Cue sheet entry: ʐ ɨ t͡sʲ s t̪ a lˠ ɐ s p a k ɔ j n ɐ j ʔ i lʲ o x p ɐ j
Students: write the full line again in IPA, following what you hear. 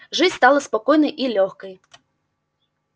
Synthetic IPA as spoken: ʐ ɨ t͡sʲ s t̪ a lˠ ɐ s p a k ɔ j n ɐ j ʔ i lʲ ɔ x k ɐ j